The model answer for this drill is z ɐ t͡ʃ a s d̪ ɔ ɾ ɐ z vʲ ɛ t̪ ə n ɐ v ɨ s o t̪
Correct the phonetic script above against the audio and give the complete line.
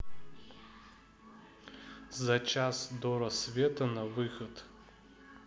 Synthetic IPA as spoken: z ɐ t͡ʃ a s d̪ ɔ ɾ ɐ s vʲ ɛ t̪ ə n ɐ v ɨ x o t̪